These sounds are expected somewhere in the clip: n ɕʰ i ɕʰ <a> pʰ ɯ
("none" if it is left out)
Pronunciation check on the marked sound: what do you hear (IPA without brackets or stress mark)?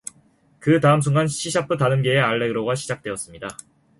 a